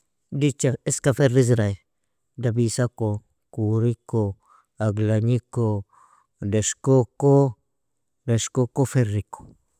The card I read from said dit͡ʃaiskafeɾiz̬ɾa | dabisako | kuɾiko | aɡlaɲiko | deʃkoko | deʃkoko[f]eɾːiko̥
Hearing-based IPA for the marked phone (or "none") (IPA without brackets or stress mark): f